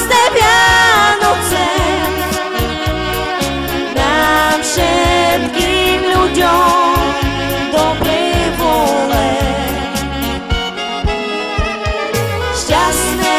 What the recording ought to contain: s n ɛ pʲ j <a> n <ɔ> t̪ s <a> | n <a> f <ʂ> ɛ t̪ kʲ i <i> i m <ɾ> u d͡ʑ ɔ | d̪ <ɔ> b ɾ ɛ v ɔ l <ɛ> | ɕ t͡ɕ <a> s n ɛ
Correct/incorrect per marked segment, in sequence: correct, correct, incorrect: ɛ, correct, correct, correct, incorrect: l, correct, correct, correct

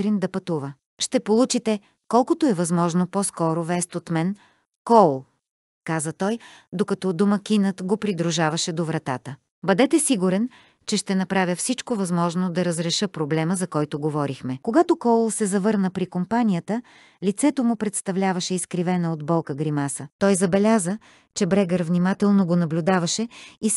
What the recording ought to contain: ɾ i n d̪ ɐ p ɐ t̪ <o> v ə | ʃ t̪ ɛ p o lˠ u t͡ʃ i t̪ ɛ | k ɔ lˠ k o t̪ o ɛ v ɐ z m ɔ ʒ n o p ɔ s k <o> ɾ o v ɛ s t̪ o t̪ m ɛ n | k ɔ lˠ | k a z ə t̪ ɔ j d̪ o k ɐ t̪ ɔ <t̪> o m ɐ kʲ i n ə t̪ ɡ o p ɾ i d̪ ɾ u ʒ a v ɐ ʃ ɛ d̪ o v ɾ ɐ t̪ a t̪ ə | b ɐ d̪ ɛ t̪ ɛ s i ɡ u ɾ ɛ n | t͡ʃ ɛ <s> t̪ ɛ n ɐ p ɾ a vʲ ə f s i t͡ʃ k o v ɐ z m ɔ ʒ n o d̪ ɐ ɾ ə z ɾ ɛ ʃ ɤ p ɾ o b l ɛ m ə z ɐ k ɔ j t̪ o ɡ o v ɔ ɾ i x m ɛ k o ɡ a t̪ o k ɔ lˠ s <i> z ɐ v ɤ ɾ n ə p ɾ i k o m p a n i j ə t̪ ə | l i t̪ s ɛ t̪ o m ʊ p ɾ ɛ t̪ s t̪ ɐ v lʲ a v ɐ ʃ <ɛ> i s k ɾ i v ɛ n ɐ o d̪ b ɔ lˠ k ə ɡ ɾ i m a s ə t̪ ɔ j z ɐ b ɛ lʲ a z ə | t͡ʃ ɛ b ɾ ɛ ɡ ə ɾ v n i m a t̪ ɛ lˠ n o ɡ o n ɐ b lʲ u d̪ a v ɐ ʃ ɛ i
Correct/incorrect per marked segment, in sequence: incorrect: u, incorrect: ɔ, incorrect: d̪, incorrect: ʃ, incorrect: ɛ, correct

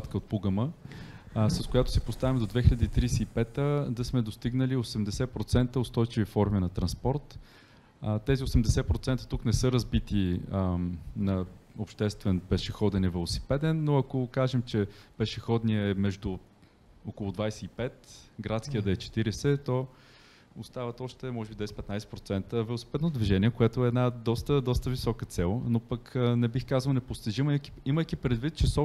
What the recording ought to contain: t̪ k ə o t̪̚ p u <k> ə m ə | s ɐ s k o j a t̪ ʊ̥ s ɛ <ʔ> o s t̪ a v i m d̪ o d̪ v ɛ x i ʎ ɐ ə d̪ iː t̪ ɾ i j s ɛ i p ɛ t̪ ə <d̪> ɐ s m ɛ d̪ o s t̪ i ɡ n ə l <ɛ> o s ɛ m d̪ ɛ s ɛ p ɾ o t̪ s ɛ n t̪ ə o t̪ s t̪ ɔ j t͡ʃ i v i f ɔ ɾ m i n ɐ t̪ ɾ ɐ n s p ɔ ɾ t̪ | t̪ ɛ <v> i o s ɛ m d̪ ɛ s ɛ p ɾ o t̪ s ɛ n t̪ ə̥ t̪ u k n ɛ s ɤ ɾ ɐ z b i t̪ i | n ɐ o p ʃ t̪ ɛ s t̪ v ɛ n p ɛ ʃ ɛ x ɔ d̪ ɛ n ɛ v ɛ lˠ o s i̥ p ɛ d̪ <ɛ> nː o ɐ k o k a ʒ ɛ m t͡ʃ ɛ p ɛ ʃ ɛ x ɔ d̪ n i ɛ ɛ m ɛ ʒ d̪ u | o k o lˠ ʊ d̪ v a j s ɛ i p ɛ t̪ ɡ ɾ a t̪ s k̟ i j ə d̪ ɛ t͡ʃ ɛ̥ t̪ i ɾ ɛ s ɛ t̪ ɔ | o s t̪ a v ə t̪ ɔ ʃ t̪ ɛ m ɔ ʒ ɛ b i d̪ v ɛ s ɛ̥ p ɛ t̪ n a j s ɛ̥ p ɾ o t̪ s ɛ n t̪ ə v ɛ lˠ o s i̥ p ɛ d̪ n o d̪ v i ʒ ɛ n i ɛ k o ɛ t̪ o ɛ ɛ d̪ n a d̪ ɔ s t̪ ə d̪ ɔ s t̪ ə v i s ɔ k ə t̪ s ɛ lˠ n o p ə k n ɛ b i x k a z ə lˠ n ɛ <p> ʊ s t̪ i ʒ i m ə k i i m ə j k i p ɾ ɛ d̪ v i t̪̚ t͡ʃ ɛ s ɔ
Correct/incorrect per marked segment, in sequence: incorrect: ɡ, incorrect: p, correct, incorrect: i, incorrect: z, correct, correct

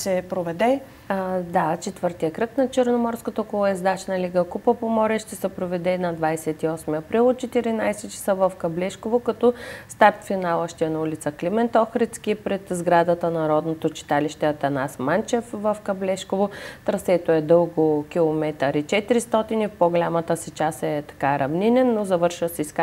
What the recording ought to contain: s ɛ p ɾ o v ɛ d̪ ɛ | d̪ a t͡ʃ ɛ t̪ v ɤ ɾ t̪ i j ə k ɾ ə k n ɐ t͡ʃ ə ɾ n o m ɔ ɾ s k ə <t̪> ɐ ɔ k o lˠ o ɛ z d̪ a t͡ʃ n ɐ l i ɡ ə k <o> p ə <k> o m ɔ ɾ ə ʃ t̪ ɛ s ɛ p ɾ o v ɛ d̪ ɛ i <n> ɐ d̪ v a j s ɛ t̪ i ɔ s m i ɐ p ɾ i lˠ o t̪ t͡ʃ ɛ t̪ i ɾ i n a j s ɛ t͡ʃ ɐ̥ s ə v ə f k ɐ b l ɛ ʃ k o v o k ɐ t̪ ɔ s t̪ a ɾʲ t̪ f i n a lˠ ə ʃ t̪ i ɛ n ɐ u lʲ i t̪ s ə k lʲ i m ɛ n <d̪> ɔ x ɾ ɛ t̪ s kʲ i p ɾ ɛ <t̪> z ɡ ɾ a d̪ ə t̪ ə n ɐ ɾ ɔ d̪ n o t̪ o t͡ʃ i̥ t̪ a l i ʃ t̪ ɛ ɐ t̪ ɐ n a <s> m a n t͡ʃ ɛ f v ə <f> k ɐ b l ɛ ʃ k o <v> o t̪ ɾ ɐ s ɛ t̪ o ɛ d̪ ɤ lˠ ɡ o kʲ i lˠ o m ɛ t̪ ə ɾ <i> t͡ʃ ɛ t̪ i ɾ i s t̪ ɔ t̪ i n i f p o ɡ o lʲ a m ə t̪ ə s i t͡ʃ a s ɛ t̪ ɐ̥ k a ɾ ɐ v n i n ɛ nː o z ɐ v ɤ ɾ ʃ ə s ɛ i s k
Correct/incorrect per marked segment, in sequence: correct, incorrect: u, incorrect: p, correct, incorrect: t̪, correct, correct, correct, correct, correct

